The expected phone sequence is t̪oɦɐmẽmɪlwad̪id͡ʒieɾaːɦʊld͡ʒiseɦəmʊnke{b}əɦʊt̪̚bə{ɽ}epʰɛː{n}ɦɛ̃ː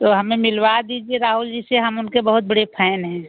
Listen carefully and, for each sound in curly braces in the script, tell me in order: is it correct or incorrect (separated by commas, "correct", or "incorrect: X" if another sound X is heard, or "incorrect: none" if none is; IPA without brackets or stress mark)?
correct, correct, correct